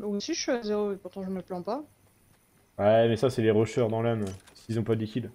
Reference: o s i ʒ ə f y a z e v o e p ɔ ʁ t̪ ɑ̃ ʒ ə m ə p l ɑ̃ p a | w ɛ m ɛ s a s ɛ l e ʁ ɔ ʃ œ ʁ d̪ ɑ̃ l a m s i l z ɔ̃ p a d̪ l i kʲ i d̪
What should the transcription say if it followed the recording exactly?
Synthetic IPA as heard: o s i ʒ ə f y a z e ʁ o e p u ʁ t̪ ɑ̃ ʒ ə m ə p l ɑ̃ p a | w ɛ m ɛ s a s ɛ l e ʁ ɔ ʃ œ ʁ d̪ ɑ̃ l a m s i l z ɔ̃ p a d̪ l i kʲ i d̪